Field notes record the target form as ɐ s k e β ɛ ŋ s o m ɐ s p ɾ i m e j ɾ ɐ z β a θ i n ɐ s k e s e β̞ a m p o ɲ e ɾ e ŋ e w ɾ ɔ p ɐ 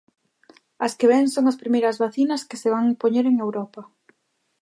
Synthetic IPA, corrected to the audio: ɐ s k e β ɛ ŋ s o ŋ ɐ s p ɾ i m e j ɾ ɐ z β a θ i n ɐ s k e s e β̞ a ŋ p o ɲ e ɾ e ŋ e w ɾ ɔ p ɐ